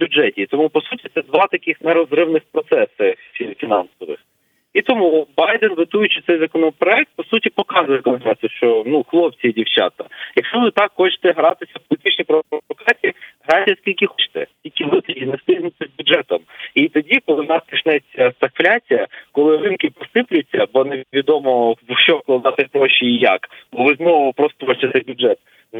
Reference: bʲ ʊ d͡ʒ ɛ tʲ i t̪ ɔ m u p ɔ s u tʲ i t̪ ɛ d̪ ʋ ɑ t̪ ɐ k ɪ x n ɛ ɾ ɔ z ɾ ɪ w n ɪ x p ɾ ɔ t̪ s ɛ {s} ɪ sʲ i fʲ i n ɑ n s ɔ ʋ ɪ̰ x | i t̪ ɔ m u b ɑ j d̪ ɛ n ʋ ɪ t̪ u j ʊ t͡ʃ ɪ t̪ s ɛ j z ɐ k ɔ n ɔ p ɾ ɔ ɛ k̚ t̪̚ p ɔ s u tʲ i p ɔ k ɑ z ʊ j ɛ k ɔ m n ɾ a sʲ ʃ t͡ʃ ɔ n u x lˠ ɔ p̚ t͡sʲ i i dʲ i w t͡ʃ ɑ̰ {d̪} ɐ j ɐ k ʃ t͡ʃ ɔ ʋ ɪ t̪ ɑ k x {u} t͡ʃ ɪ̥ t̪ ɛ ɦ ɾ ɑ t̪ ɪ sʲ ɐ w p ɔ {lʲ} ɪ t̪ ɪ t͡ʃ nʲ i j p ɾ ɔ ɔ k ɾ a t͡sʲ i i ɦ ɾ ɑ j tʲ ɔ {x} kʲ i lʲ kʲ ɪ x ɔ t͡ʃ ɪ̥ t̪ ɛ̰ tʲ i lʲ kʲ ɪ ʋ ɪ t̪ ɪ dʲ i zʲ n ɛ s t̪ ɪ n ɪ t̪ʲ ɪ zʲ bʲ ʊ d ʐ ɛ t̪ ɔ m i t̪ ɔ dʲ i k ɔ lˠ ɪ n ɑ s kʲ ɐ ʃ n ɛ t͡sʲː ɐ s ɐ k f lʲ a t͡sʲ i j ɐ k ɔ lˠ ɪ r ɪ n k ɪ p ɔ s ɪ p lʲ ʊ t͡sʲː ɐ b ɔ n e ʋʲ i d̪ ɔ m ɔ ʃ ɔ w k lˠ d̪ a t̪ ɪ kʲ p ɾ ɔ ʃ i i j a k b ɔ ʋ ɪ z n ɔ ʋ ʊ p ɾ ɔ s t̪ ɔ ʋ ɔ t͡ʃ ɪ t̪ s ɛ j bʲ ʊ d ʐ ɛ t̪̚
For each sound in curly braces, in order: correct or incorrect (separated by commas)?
correct, incorrect, incorrect, correct, incorrect